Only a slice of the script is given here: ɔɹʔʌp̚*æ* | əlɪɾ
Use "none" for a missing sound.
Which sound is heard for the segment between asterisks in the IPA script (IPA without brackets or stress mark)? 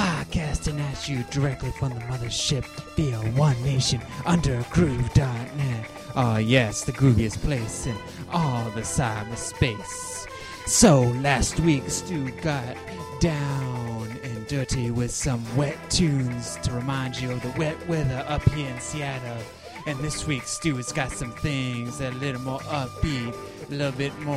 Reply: i